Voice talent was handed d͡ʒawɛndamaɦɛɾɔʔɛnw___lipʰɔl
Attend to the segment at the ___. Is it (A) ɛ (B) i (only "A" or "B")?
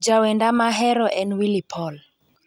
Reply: B